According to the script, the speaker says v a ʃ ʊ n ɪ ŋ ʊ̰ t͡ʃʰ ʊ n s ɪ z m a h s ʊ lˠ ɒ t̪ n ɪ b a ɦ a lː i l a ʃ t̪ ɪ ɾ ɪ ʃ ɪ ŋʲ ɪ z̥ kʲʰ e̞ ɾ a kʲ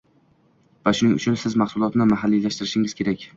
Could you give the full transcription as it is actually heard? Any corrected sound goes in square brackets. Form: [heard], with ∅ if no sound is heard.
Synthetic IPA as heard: v a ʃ ʊ n ɪ ŋ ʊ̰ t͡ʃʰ ʊ n s ɪ z m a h s ʊ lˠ ɒ t̪ n ɪ [m] a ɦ a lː i l a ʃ t̪ ɪ ɾ ɪ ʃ ɪ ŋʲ ɪ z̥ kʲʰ e̞ ɾ a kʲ

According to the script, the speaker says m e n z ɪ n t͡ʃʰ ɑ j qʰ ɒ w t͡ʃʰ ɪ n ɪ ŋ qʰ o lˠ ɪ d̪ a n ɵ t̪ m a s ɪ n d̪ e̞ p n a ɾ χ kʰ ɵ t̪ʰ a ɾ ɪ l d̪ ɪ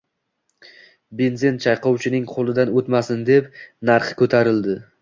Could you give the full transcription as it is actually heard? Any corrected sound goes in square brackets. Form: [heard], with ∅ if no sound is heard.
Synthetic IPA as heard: [b] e n z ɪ n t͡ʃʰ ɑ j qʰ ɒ w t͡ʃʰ ɪ n ɪ ŋ qʰ o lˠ ɪ d̪ a n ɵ t̪ m a s ɪ n d̪ e̞ p n a ɾ χ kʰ ɵ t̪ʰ a ɾ ɪ l d̪ ɪ

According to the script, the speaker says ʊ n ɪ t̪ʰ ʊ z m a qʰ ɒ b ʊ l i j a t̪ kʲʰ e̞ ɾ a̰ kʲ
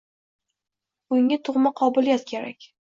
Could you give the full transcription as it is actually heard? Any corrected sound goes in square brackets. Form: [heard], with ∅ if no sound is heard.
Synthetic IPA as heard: ʊ [ŋ] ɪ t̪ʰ ʊ [ʁ] m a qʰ ɒ b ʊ l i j a t̪ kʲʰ e̞ ɾ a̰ kʲ

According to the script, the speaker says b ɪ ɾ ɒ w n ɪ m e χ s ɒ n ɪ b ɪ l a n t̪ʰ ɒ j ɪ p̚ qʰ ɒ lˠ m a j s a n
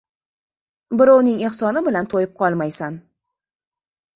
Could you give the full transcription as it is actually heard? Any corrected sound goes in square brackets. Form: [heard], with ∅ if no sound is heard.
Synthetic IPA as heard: b ɪ ɾ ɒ w n ɪ [ŋ] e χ s ɒ n ɪ b ɪ l a n t̪ʰ [o] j ɪ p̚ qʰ ɒ lˠ m a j s a n

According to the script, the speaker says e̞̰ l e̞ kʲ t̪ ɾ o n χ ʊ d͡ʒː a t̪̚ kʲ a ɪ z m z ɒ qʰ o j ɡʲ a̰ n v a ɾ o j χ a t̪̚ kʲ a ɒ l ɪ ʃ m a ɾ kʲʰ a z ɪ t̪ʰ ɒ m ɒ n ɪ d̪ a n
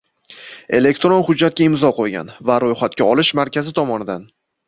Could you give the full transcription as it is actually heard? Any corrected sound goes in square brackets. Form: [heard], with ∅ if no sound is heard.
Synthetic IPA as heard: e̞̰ l e̞ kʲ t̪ ɾ o n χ ʊ d͡ʒː a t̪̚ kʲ a ɪ [∅] m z ɒ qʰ o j ɡʲ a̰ n v a ɾ o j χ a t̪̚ kʲ a ɒ l ɪ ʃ m a ɾ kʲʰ a z ɪ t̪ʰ ɒ m ɒ n ɪ d̪ a n

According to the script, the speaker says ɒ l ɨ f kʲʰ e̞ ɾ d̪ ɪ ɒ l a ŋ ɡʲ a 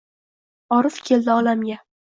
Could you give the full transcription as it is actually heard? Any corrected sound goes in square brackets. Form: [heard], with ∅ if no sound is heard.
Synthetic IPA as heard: ɒ [ɾ] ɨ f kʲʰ e̞ [l] d̪ ɪ ɒ l a [m] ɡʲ a

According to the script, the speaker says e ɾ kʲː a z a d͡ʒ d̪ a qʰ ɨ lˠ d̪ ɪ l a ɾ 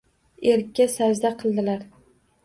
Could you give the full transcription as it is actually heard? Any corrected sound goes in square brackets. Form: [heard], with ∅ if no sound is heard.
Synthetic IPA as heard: e ɾ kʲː a [s] a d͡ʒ d̪ a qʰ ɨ lˠ d̪ ɪ l a ɾ

